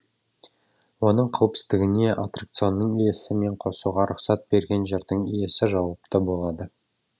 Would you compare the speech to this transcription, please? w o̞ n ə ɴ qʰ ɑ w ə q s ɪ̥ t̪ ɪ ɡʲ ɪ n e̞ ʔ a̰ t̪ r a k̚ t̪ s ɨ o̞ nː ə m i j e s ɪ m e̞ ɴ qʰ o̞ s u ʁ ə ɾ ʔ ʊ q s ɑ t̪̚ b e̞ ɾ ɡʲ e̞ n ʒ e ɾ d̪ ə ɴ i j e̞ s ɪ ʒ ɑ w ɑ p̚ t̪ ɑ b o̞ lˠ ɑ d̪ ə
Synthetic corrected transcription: w o̞ n ə ɴ qʰ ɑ w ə p s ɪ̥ t̪ ɪ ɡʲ ɪ n e̞ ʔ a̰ t̪ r a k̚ t̪ s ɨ o̞ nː ə ɴ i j e s ɪ m e̞ ɴ qʰ o̞ s u ʁ ɑ ɾ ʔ ʊ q s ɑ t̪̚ b e̞ ɾ ɡʲ e̞ n ʒ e ɾ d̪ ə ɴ i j e̞ s ɪ ʒ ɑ w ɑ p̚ t̪ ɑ b o̞ lˠ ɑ d̪ ə